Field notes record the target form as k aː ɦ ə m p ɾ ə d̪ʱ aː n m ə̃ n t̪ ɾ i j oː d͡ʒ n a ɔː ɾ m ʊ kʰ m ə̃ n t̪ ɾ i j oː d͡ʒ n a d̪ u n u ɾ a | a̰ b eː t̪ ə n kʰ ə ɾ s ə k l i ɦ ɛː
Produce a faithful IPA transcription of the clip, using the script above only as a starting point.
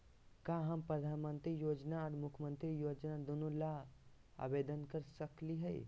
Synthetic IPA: k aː ɦ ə m p ɾ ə d̪ʱ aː n m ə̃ n t̪ ɾ i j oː d͡ʒ n a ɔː ɾ m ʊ kʰ m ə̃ n t̪ ɾ i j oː d͡ʒ n a d̪ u n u l a | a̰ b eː d̪ ə n k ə ɾ s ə k l i ɦ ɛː